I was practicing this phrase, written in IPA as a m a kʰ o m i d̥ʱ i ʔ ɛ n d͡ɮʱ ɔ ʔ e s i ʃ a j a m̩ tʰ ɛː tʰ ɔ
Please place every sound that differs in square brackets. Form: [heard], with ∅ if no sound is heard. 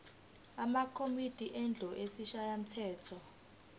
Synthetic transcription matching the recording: a m a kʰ o m i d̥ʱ i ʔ ɛ n d͡ɮʱ ɔ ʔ e s i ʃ a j a m̩ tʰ ɛː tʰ ɔ